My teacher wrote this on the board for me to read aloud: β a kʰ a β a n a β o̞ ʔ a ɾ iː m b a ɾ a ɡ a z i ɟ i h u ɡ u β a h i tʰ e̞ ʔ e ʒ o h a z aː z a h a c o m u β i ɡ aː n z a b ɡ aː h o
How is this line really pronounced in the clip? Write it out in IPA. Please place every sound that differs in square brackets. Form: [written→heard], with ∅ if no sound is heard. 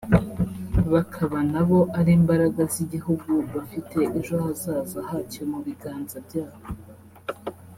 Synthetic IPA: β a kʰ a β a n a β o̞ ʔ a ɾ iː m b a ɾ a ɡ a z i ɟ i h u ɡ u β a [h→f] i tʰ e̞ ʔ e ʒ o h a z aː z a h a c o m u β i ɡ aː n z a b [ɡ→ɟ] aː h o